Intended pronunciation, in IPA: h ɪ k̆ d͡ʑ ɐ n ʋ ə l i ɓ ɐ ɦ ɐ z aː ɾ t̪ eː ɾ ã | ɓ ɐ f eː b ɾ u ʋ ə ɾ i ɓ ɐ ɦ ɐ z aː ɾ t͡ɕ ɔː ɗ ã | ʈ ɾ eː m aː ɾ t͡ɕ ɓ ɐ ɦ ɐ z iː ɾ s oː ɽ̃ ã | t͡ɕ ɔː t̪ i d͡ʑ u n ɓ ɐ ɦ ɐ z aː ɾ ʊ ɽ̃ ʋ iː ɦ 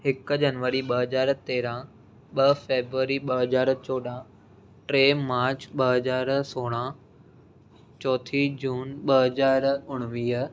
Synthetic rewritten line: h ɪ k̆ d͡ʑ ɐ n ʋ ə ɾ i ɓ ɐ ɦ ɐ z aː ɾ t̪ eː ɾ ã | ɓ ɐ f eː b ɾ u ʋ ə ɾ i ɓ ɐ ɦ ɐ z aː ɾ t͡ɕ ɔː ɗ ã | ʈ ɾ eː m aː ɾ t͡ɕ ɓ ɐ ɦ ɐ z aː ɾ s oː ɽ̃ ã | t͡ɕ ɔː t̪ʰ i d͡ʑ uː n ɓ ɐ ɦ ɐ z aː ɾ ʊ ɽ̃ ʋ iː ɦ

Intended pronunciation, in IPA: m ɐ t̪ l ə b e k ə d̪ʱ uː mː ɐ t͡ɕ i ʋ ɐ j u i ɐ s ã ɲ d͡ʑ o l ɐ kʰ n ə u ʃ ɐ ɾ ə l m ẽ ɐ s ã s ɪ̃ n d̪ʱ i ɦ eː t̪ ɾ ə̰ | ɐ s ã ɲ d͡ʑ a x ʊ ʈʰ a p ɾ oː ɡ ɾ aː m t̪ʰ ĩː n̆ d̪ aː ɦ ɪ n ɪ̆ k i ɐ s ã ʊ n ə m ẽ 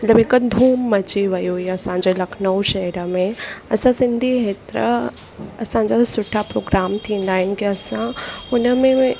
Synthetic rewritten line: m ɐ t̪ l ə b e k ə d̪ʱ uː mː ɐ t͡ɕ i ʋ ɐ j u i ɐ s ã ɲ d͡ʑ o l ɐ kʰ n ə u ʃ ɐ ɾ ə m ẽ ɐ s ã s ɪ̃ n d̪ʱ i ɦ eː t̪ ɾ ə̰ | ɐ s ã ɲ d͡ʑ a s ʊ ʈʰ a p ɾ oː ɡ ɾ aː m t̪ʰ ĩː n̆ d̪ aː ɦ ɪ n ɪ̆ k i ɐ s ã ʊ n ə m ẽ

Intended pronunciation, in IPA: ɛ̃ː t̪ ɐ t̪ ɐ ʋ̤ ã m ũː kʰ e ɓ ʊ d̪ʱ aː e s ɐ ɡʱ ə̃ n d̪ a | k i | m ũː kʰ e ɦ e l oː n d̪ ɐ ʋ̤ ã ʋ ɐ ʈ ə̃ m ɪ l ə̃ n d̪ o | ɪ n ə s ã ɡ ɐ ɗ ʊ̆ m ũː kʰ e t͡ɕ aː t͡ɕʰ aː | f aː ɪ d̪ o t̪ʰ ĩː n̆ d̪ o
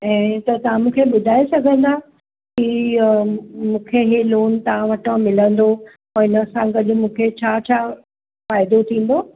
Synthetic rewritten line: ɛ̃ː t̪ ɐ t̪ ɐ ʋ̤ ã m ũː kʰ e ɓ ʊ d̪ʱ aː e s ɐ ɡʱ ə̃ n d̪ a | k i | m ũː kʰ e ɦ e l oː n t̪ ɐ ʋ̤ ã ʋ ɐ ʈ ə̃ m ɪ l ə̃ n d̪ o | ɪ n ə s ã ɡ ɐ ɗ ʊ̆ m ũː kʰ e t͡ɕʰ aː t͡ɕʰ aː | f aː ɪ d̪ o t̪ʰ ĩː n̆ d̪ o

